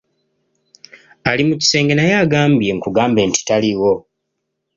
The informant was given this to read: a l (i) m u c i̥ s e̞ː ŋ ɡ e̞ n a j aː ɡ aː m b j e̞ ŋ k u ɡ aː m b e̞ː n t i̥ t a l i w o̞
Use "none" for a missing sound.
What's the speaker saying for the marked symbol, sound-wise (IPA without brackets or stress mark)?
i